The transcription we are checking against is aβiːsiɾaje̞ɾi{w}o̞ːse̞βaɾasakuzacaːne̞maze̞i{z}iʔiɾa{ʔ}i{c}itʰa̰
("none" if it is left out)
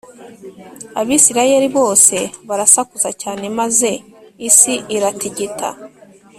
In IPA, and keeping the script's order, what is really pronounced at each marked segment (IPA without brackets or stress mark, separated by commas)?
β, s, t, ɟ